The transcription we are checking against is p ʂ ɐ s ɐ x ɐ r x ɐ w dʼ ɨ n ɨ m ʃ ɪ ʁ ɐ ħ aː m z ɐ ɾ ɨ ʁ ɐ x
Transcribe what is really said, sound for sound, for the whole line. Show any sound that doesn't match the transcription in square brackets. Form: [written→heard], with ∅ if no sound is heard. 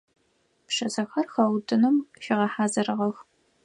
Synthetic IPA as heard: p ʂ ɐ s ɐ x ɐ r x ɐ w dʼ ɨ n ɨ m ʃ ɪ ʁ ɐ ħ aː [m→∅] z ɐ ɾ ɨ ʁ ɐ x

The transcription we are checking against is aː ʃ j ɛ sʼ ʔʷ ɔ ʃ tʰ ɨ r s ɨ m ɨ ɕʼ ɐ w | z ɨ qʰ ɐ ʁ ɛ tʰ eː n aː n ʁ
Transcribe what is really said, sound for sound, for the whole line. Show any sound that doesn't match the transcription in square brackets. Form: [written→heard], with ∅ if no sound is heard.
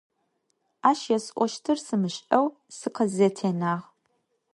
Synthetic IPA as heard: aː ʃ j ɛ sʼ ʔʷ ɔ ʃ tʰ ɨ r s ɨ m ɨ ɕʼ ɐ w | [z→s] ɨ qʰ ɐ [ʁ→z] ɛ tʰ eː n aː [n→∅] ʁ

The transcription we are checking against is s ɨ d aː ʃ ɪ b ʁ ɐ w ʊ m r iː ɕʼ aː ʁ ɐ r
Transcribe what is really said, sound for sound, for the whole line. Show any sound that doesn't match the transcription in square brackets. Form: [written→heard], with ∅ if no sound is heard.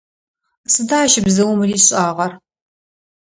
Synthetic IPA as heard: s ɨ d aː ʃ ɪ b [ʁ→z] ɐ w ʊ m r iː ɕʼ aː ʁ ɐ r

